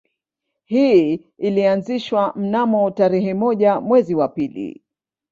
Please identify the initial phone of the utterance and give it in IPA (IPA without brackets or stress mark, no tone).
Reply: h